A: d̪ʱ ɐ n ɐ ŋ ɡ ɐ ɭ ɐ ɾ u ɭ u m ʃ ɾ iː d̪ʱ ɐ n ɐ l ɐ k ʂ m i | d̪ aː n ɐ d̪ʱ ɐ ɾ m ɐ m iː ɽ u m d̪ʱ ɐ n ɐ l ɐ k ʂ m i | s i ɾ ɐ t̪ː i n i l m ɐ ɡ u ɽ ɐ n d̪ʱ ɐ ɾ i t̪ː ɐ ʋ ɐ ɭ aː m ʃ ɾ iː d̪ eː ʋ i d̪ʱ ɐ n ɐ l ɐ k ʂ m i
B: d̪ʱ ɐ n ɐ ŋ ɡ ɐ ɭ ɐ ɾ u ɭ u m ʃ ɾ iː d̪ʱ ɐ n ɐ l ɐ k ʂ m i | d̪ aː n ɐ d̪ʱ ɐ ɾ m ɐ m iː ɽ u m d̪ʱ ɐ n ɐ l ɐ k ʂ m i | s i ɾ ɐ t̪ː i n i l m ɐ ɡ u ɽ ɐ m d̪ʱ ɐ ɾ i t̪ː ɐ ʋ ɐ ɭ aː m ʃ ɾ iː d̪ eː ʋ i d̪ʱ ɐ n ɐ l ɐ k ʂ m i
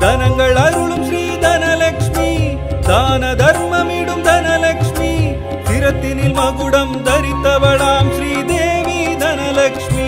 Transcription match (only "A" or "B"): B